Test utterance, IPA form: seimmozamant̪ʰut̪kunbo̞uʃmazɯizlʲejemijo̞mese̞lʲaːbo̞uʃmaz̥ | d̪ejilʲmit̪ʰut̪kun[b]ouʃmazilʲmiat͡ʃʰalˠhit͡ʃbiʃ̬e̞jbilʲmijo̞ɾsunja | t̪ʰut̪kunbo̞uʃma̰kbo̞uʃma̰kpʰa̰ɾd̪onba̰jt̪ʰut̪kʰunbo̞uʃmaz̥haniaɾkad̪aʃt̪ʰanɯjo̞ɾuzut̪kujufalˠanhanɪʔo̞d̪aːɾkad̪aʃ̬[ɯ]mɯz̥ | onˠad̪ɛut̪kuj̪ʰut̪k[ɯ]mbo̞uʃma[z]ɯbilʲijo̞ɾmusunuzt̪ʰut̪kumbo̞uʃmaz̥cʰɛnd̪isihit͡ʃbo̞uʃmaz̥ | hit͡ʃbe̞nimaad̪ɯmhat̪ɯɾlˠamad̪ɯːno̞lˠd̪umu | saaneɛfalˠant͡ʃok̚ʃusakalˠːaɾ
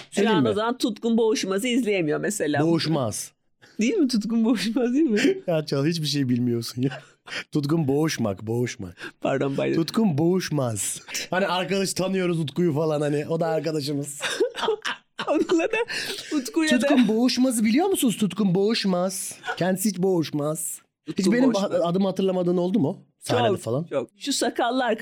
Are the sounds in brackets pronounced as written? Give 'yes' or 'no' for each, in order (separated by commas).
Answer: yes, yes, no, yes